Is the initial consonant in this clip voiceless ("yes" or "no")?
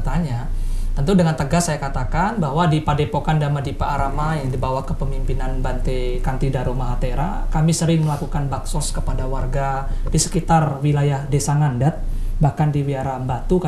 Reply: yes